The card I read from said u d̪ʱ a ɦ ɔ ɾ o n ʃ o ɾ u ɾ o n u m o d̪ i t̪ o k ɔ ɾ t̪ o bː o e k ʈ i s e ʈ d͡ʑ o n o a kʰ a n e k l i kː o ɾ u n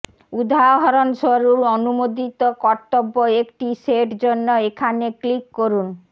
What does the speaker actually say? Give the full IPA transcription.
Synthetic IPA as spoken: u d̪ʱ a ɦ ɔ ɾ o n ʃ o ɾ u ɾ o n u m o d̪ i t̪ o k ɔ ɾ t̪ o bː o e k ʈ i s e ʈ d͡ʑ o nː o e kʰ a n e k l i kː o ɾ u n